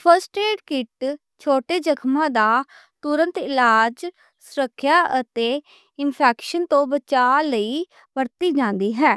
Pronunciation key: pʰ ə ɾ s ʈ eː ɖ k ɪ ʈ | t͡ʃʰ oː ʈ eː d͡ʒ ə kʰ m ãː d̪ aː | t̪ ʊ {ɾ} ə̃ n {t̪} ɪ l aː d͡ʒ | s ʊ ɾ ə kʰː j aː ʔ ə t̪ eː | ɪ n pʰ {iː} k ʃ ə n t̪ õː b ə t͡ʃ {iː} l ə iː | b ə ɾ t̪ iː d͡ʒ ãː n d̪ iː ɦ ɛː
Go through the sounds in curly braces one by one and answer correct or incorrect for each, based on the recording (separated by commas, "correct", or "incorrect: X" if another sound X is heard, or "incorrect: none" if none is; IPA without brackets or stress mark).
correct, correct, incorrect: ɛː, incorrect: aː